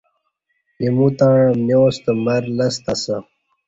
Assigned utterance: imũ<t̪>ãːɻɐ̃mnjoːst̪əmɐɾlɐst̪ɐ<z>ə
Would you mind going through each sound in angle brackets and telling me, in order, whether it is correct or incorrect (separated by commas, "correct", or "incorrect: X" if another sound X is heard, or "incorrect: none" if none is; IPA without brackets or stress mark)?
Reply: correct, incorrect: s